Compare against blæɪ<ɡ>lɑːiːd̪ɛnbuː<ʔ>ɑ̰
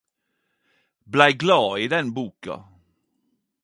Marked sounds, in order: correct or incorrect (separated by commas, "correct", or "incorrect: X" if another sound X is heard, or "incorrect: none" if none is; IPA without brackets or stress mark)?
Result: correct, incorrect: k